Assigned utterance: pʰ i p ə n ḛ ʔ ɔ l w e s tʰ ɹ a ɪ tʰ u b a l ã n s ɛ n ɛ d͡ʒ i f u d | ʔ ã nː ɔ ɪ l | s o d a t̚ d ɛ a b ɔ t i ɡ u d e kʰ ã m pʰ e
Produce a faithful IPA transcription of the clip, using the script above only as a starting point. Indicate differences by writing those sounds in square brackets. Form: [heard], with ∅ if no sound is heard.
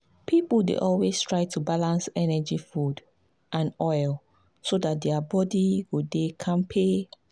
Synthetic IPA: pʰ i p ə [d] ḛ ʔ ɔ l w e s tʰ ɹ a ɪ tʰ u b a l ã n s ɛ n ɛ d͡ʒ i f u d | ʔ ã [n] ɔ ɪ l | s o d a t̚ d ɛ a b ɔ [d] i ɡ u d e kʰ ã m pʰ e